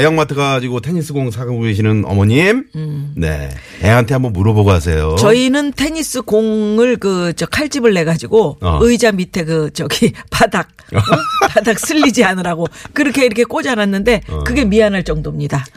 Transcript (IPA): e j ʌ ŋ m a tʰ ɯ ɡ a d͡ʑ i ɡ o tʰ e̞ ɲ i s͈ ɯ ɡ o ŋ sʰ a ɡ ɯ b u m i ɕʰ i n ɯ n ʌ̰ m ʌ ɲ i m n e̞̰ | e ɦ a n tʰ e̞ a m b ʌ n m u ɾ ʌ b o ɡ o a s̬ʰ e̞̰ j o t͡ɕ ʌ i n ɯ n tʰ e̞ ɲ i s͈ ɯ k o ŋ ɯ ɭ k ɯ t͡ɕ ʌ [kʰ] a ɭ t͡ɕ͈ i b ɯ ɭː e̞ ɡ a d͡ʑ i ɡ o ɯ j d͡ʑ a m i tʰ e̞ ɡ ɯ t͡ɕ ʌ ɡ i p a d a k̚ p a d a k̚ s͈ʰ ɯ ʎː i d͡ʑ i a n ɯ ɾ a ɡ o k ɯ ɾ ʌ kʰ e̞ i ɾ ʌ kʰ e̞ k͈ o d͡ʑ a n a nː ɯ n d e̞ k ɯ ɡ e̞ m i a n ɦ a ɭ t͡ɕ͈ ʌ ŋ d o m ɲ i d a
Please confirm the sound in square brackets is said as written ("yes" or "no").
yes